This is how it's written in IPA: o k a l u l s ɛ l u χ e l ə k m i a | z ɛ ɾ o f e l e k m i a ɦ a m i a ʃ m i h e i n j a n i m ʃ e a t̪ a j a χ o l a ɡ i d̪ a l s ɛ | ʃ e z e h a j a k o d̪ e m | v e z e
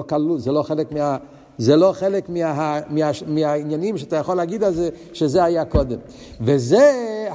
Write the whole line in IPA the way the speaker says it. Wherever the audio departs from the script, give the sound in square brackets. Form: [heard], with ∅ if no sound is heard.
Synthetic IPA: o k a l u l [z] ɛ l [o] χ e l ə k m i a | z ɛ [l] o [χ] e l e k m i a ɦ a m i a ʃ m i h [a] i n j a n i m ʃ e a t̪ a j a χ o l a ɡ i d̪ a l [z] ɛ | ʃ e z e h a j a k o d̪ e m | v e z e